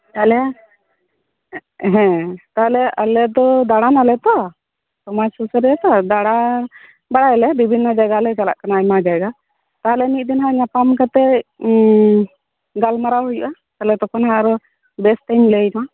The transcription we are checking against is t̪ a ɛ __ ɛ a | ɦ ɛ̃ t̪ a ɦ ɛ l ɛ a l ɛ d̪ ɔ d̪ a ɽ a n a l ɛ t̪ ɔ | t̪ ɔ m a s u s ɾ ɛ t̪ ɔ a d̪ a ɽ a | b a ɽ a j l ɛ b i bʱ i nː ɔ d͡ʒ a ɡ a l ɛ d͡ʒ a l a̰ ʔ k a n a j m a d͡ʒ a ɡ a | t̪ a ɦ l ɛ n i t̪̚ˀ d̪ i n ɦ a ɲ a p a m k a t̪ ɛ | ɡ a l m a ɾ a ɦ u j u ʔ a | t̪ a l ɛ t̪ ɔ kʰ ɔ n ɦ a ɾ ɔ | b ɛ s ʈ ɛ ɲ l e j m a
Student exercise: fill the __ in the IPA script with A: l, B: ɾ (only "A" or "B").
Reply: A